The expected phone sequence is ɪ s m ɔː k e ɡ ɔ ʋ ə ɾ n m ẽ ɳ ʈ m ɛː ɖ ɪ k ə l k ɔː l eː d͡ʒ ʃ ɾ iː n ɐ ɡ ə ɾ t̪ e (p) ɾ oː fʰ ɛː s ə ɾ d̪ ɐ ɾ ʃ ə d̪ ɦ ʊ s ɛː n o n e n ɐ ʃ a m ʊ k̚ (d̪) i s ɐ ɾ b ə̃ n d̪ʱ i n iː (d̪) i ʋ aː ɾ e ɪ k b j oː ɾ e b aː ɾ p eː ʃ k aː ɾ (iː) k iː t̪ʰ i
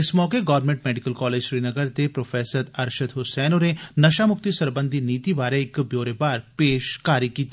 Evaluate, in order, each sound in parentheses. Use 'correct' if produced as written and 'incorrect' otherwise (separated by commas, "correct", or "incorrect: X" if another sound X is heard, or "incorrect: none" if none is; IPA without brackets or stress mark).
correct, incorrect: t̪, incorrect: t̪, incorrect: i